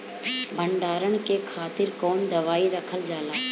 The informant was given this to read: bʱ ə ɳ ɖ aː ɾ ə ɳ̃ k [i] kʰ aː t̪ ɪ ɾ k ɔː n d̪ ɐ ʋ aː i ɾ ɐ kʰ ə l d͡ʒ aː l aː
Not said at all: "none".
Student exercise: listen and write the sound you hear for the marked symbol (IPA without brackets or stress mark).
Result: e